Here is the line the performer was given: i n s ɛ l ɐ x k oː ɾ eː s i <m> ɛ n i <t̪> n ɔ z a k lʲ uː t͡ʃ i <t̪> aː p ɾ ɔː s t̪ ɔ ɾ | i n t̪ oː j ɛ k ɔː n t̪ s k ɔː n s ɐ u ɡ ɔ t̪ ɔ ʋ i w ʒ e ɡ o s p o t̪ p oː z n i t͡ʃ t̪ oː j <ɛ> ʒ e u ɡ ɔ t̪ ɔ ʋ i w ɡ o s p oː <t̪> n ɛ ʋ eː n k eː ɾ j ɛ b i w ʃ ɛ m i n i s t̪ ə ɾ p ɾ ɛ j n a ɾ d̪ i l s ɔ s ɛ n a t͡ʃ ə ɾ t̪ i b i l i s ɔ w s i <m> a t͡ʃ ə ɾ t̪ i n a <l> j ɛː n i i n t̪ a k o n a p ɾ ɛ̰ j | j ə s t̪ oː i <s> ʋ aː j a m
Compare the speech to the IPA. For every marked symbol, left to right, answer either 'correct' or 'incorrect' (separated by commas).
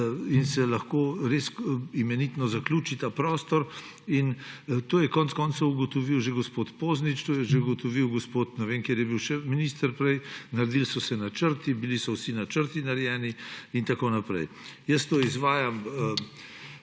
correct, correct, correct, correct, correct, incorrect, incorrect, incorrect